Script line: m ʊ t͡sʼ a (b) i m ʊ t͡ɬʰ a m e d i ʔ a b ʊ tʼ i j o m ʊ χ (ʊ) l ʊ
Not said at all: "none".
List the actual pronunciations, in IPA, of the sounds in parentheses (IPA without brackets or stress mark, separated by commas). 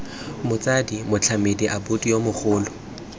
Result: d, ʊː